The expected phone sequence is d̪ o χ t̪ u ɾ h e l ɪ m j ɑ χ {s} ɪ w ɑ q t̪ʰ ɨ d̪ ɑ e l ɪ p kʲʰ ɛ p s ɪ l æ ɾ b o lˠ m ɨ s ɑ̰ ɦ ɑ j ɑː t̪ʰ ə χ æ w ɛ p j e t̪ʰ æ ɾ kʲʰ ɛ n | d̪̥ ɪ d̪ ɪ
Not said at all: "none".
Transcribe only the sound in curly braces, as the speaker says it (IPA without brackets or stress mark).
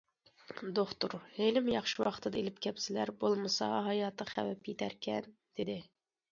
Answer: ʃ